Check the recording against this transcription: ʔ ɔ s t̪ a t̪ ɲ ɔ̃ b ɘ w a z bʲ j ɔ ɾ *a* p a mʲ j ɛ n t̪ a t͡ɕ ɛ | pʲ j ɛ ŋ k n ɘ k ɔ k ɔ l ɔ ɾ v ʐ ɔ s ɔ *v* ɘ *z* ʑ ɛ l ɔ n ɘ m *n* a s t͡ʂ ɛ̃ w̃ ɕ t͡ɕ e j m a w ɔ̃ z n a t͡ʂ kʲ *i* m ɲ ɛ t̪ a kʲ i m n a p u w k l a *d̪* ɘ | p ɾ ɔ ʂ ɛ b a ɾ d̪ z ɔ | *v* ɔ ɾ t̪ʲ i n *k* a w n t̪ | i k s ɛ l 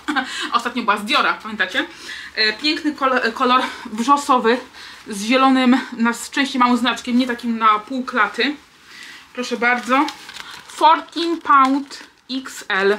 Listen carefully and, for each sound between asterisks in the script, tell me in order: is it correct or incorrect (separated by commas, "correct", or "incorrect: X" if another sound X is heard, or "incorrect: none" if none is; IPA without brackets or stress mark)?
correct, correct, correct, correct, incorrect: ɛ, incorrect: t̪, incorrect: f, incorrect: p